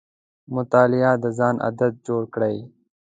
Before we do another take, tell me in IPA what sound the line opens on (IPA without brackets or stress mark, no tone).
m